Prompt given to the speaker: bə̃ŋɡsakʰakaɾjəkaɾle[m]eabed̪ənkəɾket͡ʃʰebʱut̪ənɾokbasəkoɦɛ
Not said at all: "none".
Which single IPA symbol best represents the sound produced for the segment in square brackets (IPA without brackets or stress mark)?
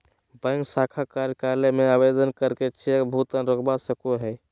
m